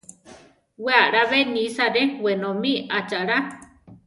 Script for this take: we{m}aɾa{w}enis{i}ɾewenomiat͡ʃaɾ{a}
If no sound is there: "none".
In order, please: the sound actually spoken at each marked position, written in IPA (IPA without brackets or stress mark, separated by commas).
none, β, a, a